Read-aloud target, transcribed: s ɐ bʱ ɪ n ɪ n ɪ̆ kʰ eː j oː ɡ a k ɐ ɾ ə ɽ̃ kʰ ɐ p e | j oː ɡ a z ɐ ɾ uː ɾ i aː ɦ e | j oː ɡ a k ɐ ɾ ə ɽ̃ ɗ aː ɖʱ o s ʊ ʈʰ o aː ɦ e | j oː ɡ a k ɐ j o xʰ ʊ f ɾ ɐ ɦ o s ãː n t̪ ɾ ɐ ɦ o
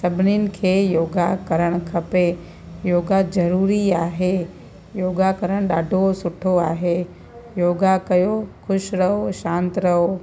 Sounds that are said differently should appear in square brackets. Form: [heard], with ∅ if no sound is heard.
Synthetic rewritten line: s ɐ bʱ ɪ n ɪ n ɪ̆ kʰ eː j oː ɡ a k ɐ ɾ ə ɽ̃ kʰ ɐ p e | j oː ɡ a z ɐ ɾ uː ɾ i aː ɦ e | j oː ɡ a k ɐ ɾ ə ɽ̃ ɗ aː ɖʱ o s ʊ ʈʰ o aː ɦ e | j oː ɡ a k ɐ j o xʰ ʊ [ʃ] ɾ ɐ ɦ o [ʃ] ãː n t̪ ɾ ɐ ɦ o

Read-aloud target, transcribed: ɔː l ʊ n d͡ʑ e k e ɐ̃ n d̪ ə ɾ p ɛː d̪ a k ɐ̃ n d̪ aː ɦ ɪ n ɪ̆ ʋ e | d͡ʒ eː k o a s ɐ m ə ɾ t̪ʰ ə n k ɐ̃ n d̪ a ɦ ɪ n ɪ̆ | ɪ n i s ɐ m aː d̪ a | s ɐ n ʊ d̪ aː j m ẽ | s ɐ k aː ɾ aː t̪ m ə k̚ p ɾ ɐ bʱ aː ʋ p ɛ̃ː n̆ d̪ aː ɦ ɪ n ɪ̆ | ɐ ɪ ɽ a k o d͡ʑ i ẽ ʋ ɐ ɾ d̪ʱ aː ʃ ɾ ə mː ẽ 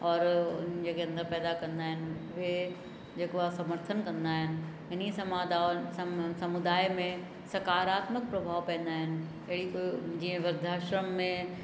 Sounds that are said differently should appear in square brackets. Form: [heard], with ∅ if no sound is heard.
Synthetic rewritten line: ɔː [ɾ] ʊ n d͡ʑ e k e ɐ̃ n d̪ ə ɾ p ɛː d̪ a k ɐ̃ n d̪ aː ɦ ɪ n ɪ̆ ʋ e | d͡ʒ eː k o a s ɐ m ə ɾ t̪ʰ ə n k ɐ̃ n d̪ a ɦ ɪ n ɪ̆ | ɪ n i s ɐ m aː d̪ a | s ɐ [m] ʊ d̪ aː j m ẽ | s ɐ k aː ɾ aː t̪ m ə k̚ p ɾ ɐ bʱ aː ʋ p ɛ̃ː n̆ d̪ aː ɦ ɪ n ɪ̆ | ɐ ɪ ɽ [i] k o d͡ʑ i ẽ ʋ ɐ ɾ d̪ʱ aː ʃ ɾ ə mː ẽ

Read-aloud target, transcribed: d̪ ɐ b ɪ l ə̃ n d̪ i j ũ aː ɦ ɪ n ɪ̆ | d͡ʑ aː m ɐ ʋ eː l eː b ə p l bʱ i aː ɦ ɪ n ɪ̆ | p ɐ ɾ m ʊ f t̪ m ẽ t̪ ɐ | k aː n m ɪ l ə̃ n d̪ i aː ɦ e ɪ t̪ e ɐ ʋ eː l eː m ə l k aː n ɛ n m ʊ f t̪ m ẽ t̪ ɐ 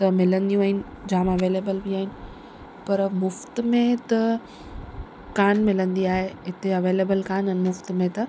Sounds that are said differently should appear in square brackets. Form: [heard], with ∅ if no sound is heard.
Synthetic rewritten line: [t̪] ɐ [m] ɪ l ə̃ n d̪ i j ũ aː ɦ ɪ n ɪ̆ | d͡ʑ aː m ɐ ʋ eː l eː b ə [∅] l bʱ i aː ɦ ɪ n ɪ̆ | p ɐ ɾ m ʊ f t̪ m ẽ t̪ ɐ | k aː n m ɪ l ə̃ n d̪ i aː ɦ e ɪ t̪ e ɐ ʋ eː l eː [b] ə l k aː n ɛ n m ʊ f t̪ m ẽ t̪ ɐ

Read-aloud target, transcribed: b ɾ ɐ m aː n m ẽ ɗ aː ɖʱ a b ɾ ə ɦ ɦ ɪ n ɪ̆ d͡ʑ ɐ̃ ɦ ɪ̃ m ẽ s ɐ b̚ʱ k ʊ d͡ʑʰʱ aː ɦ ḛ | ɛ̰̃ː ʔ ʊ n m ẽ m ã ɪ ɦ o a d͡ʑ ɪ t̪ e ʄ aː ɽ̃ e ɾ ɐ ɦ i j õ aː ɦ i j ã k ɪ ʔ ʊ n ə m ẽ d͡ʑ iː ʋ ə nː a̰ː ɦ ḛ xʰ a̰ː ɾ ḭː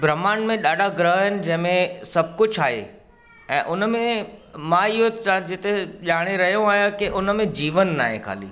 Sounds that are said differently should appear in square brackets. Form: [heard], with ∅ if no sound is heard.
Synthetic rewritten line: b ɾ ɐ m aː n m ẽ ɗ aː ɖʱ a [ɡ] ɾ ə ɦ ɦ ɪ n ɪ̆ d͡ʑ ɐ̃ ɦ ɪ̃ m ẽ s ɐ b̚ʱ k ʊ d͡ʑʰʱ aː ɦ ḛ | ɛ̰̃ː ʔ ʊ n m ẽ m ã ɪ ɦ o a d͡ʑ ɪ t̪ e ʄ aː ɽ̃ e ɾ ɐ ɦ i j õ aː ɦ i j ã k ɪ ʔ ʊ n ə m ẽ d͡ʑ iː ʋ ə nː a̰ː ɦ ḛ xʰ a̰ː [l] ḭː

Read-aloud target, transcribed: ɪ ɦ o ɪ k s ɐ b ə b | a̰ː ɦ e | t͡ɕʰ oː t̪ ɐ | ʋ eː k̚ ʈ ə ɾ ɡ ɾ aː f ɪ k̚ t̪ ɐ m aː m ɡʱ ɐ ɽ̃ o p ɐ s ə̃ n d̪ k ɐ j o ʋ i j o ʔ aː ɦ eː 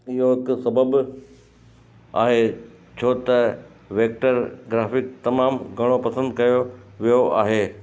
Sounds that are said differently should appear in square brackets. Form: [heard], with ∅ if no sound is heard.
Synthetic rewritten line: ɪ ɦ o ɪ k s ɐ b ə b | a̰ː ɦ e | t͡ɕʰ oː t̪ ɐ | ʋ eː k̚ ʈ ə ɾ ɡ ɾ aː f ɪ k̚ t̪ ɐ m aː m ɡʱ ɐ ɽ̃ o p ɐ s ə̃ n d̪ k ɐ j o ʋ i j o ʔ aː ɦ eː

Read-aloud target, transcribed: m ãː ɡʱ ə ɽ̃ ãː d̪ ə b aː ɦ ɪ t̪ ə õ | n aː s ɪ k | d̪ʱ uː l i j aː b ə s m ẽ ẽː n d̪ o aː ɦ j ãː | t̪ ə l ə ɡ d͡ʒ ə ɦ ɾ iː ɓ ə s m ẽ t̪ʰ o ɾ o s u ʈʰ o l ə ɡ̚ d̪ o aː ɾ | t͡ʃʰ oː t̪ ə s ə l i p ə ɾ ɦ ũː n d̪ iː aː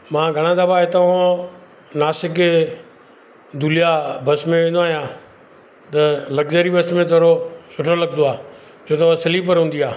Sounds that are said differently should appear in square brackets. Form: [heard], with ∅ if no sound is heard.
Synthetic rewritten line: m ãː ɡʱ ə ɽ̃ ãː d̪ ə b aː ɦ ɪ t̪ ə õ | n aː s ɪ k | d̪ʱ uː l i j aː b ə s m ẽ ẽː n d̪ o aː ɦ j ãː | t̪ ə l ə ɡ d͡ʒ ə [∅] ɾ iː [b] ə s m ẽ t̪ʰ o ɾ o s [ʊ] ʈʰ o l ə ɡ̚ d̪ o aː [∅] | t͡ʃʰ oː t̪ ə s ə l i p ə ɾ ɦ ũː n d̪ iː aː

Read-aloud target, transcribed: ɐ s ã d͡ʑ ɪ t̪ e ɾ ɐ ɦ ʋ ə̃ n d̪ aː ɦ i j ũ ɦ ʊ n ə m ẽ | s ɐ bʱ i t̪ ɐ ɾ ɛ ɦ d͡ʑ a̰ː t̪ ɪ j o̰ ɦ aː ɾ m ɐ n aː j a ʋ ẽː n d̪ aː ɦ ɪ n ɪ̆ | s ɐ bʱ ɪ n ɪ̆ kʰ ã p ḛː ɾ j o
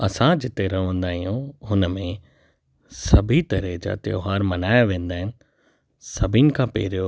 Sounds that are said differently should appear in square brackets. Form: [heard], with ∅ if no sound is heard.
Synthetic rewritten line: ɐ s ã d͡ʑ ɪ t̪ e ɾ ɐ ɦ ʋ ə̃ n d̪ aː ɦ i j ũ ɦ ʊ n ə m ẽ | s ɐ bʱ i t̪ ɐ ɾ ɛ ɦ d͡ʑ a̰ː t̪ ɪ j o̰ ɦ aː ɾ m ɐ n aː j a ʋ ẽː n d̪ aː ɦ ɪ n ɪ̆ | s ɐ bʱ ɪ n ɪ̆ kʰ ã p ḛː ɾ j o

